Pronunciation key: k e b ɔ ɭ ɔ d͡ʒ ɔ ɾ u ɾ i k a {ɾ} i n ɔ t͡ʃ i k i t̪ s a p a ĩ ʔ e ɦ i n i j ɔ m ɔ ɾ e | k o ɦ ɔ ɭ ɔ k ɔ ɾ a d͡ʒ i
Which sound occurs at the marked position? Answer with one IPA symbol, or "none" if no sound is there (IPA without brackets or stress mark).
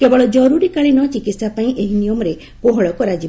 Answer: ɭ